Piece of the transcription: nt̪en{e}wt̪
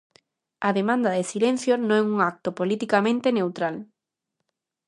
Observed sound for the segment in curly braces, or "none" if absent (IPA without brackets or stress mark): e